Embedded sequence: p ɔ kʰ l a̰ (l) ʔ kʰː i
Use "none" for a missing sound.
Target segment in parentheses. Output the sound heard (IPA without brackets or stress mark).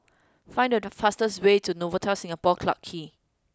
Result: none